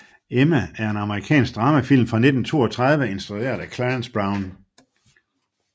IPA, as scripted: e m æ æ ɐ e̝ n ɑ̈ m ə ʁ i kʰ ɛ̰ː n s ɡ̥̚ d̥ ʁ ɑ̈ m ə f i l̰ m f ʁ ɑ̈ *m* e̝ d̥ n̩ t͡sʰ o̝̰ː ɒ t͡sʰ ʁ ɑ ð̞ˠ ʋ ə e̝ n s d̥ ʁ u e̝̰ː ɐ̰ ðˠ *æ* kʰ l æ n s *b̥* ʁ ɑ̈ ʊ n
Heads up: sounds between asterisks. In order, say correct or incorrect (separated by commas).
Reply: incorrect, correct, correct